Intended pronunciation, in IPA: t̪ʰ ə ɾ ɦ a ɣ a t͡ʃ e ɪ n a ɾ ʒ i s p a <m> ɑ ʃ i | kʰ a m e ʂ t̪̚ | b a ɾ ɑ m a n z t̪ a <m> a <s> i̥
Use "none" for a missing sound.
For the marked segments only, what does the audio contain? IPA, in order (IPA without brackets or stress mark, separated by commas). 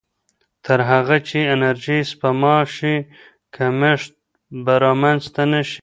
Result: m, n, ʃ